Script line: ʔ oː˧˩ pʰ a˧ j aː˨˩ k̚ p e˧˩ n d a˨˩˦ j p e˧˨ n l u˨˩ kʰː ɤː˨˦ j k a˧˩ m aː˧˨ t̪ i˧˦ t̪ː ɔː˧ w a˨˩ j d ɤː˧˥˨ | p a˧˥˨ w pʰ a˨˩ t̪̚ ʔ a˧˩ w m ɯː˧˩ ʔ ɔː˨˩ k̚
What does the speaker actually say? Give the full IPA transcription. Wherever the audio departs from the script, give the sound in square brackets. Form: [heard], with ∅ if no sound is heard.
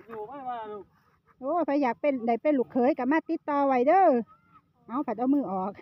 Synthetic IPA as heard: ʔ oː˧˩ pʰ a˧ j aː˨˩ k̚ p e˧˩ n d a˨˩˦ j p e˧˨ n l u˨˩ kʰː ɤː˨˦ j k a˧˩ m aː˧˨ t̪ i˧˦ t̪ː ɔː˧ w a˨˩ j d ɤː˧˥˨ | [ʔ] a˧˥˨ w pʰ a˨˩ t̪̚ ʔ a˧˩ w m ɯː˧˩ ʔ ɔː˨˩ k̚